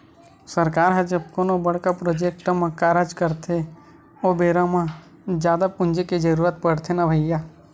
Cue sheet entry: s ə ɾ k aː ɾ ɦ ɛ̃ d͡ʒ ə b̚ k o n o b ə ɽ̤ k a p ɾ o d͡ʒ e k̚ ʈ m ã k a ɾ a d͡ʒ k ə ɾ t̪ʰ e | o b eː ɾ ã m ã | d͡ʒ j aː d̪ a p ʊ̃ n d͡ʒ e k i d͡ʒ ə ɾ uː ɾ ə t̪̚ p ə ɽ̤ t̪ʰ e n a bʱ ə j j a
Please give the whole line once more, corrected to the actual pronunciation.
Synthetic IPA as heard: s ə ɾ k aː ɾ ɦ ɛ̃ d͡ʒ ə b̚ k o n o b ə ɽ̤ k a p ɾ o d͡ʒ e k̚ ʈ m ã k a ɾ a d͡ʒ k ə ɾ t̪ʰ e | o b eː ɾ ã m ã | d͡ʒ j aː d̪ a p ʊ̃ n d͡ʒ e k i d͡ʒ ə ɾ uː ɾ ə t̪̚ p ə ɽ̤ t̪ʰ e n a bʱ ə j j a